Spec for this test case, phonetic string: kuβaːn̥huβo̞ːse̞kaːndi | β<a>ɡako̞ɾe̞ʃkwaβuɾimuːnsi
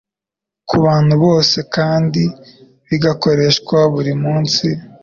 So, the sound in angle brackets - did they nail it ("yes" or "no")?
no